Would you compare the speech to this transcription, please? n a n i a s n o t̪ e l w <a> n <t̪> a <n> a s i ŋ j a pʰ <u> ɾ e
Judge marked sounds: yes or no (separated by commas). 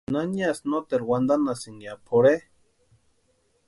yes, no, yes, no